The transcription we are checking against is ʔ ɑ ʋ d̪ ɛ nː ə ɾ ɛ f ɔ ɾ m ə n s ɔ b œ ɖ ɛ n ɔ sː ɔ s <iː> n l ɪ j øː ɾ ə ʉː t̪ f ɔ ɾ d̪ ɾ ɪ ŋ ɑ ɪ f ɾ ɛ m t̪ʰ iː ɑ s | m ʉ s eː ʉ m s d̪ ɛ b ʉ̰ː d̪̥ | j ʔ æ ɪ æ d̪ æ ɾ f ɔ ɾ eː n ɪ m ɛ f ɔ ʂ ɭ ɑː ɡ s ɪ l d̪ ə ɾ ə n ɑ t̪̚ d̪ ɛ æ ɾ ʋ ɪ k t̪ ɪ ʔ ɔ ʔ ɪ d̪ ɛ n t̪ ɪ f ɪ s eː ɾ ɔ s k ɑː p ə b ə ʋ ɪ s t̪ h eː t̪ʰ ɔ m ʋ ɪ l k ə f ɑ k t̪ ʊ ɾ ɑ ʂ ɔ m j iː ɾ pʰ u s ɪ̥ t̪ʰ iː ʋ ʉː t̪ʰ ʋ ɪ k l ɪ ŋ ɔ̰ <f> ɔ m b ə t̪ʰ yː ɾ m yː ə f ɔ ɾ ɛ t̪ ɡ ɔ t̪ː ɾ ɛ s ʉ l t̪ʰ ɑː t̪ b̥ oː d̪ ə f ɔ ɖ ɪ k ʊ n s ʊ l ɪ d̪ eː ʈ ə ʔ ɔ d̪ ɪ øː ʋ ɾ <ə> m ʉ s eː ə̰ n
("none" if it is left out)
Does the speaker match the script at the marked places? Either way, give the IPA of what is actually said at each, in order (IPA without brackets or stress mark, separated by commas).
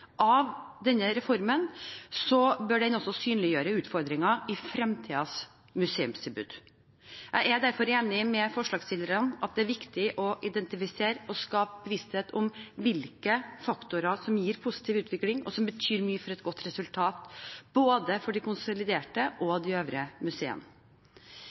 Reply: yː, s, ə